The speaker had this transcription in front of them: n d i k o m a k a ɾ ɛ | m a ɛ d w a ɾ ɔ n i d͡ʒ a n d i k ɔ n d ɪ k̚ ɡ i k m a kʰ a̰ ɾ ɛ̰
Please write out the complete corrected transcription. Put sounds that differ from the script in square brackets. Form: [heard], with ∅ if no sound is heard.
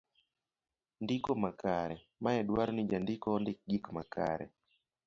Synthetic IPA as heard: n d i k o m a k a ɾ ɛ | m a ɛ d w a ɾ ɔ n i d͡ʒ a n d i k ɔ n d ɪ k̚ ɡ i k m a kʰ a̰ ɾ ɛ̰